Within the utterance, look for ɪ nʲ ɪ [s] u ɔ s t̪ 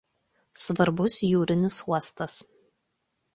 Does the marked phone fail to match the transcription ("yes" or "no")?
no